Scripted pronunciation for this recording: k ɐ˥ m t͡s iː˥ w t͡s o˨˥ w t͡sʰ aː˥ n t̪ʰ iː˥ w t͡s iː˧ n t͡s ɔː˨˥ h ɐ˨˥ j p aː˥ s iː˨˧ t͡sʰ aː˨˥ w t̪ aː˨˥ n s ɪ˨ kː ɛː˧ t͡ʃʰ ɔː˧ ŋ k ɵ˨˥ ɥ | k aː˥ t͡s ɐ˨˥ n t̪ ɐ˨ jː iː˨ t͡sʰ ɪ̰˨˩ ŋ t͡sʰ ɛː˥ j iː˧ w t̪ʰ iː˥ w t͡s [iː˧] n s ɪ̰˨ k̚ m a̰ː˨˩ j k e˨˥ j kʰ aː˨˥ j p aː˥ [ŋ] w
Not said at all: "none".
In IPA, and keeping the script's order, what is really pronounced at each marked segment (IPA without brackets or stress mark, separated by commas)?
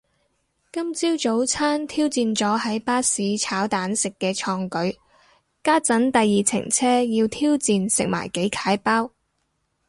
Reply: iː˧, none